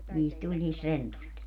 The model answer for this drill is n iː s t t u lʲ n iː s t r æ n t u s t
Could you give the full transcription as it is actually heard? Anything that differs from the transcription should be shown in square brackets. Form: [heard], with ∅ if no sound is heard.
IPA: n iː s t t u lʲ n iː s t r [e] n t u s t